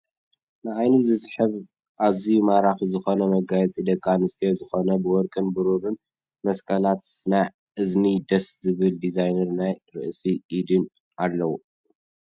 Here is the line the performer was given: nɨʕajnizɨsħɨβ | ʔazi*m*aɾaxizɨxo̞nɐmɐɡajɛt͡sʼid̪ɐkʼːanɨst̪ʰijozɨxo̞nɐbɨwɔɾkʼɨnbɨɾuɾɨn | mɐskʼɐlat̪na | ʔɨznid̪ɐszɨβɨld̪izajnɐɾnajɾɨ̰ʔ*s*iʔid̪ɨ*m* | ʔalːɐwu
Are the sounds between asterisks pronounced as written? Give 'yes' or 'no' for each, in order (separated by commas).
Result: yes, yes, no